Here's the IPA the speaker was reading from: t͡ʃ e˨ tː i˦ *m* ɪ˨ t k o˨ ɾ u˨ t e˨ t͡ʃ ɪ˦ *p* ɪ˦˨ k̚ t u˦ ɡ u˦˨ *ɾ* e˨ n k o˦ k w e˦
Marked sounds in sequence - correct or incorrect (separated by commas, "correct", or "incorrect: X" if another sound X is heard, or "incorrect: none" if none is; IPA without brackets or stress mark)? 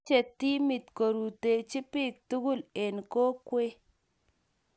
correct, correct, incorrect: l